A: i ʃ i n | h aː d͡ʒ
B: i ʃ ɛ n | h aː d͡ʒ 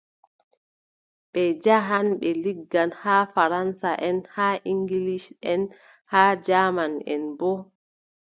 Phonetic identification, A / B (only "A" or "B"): B